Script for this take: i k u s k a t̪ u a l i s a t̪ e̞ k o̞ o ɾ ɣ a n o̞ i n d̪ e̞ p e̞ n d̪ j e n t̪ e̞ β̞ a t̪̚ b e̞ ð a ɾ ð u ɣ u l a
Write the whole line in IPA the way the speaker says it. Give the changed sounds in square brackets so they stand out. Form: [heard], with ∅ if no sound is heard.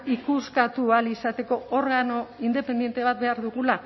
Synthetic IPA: i k u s k a t̪ u a l i s a t̪ e̞ k o̞ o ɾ ɣ a n o̞ i n d̪ e̞ p e̞ n d̪ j e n t̪ e̞ β̞ a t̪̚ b e̞ [∅] a ɾ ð u ɣ u l a